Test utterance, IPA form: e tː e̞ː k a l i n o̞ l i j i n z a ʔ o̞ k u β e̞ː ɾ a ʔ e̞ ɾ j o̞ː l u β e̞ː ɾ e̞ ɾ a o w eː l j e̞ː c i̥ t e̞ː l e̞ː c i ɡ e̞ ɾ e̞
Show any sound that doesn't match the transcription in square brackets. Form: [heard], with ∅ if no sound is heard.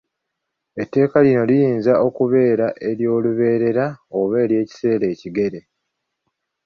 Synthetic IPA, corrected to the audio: e tː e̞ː k a l i n o̞ l i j [iː] n z a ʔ o̞ k u β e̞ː ɾ a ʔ e̞ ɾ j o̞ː l u β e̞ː ɾ e̞ ɾ a o [β] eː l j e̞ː c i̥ [s] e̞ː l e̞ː c i ɡ e̞ ɾ e̞